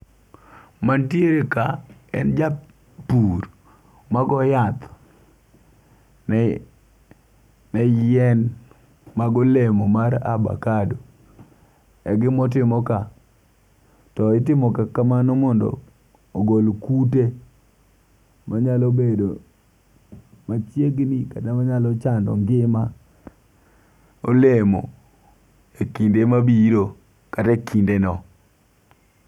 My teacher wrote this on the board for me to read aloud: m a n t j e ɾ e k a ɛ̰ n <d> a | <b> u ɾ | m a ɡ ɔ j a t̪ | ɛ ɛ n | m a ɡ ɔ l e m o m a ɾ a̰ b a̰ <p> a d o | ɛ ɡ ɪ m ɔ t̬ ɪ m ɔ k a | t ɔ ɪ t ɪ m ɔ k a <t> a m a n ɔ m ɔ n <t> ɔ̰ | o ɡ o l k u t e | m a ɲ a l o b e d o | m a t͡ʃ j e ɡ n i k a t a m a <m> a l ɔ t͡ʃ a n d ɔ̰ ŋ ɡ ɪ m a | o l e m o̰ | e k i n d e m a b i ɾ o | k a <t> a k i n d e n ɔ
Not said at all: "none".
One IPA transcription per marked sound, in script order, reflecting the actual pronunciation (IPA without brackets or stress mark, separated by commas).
d͡ʒ, p, k, k, d, ɲ, t